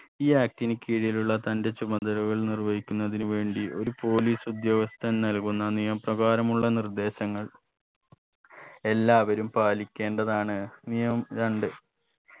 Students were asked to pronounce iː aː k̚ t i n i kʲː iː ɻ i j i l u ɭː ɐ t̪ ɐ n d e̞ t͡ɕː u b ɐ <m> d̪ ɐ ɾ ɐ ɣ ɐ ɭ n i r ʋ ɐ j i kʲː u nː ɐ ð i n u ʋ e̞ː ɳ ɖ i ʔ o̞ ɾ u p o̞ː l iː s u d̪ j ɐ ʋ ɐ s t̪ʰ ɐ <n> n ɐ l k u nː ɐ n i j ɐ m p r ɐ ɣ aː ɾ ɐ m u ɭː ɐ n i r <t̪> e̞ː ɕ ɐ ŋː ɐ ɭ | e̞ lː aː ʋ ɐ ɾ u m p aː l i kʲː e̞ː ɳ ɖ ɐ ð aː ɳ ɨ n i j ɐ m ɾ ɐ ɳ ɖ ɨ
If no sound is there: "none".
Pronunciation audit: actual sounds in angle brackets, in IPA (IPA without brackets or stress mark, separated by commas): n, n, d̪